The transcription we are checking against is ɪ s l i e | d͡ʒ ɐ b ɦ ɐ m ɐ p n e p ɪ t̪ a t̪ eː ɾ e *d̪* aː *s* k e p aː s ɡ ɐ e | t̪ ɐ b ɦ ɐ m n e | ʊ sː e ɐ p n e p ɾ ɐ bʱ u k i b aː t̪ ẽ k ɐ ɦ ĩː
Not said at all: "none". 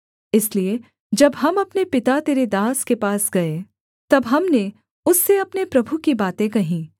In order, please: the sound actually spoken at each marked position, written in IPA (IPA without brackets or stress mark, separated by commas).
d̪, s